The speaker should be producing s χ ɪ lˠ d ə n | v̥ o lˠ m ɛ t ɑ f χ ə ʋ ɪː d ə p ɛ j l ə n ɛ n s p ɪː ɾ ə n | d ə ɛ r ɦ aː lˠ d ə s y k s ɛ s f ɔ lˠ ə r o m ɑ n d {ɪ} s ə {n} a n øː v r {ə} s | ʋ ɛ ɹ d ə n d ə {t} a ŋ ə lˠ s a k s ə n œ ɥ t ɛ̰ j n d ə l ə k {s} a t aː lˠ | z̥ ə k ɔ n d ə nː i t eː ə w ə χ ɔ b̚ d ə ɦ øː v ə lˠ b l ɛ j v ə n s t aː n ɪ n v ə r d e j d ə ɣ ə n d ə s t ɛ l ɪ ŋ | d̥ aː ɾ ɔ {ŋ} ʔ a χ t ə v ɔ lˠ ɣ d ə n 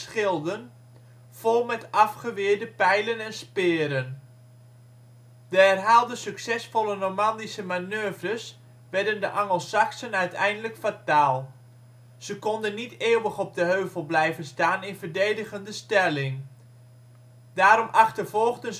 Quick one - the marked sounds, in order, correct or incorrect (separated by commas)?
incorrect, incorrect, correct, incorrect, incorrect, incorrect